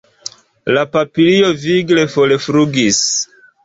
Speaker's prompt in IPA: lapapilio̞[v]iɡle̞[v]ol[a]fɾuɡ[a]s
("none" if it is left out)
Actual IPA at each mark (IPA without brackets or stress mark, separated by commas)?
v, f, e, i